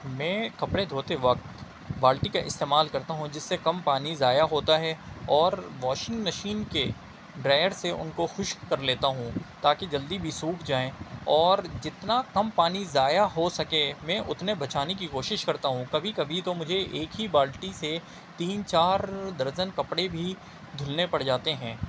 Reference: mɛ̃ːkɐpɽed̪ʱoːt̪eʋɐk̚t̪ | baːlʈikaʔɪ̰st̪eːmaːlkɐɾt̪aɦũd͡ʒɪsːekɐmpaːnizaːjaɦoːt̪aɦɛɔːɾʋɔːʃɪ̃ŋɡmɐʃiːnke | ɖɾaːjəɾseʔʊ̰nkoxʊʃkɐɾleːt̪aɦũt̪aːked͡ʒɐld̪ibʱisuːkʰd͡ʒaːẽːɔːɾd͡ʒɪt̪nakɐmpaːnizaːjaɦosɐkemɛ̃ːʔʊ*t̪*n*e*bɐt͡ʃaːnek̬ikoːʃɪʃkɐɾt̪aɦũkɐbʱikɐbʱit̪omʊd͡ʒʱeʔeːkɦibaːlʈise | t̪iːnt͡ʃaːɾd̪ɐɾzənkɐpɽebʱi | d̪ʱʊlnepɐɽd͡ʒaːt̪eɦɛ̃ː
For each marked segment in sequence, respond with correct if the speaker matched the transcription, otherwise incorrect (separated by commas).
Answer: correct, correct